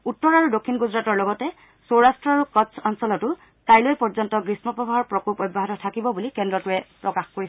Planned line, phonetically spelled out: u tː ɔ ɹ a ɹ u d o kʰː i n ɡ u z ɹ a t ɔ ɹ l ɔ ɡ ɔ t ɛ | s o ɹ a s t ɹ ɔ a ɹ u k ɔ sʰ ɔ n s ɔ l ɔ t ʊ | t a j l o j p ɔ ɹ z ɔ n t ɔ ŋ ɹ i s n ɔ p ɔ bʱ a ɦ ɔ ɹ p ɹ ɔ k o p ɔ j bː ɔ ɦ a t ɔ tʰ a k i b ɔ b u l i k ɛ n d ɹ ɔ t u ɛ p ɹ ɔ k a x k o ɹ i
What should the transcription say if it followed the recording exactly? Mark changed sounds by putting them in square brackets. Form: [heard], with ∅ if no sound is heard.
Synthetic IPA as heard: u tː ɔ ɹ a ɹ u d o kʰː i n ɡ u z ɹ a t ɔ ɹ l ɔ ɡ ɔ t ɛ | s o ɹ a s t ɹ ɔ a ɹ u k ɔ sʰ ɔ n s ɔ l ɔ t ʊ | t a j l o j p ɔ ɹ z ɔ n t ɔ [ɡ] ɹ i s [m] ɔ p ɔ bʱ a ɦ ɔ ɹ p ɹ ɔ k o p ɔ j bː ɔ ɦ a t ɔ tʰ a k i b ɔ b u l i k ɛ n d ɹ ɔ t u ɛ p ɹ ɔ k a x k o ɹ i